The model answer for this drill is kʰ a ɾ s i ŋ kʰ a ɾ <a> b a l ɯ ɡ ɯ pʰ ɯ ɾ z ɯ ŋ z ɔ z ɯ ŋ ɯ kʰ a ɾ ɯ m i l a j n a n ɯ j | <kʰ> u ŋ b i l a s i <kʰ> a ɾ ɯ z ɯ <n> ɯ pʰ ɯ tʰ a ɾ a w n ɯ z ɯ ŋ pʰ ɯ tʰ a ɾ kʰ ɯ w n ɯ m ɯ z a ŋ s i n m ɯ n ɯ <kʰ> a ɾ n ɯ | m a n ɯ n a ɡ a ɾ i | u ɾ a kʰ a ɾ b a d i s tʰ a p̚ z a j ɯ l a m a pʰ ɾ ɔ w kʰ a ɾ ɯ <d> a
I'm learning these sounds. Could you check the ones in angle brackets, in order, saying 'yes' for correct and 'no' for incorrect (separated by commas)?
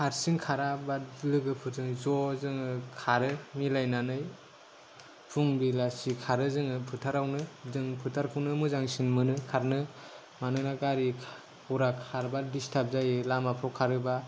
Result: yes, no, yes, no, yes, no